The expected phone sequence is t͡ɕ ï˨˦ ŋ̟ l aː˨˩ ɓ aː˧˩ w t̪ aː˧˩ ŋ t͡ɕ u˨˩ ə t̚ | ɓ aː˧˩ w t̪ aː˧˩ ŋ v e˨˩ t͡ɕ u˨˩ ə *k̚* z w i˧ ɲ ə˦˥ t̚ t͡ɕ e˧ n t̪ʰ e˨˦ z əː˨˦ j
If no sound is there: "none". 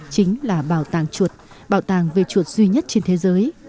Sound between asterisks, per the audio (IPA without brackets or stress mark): t̚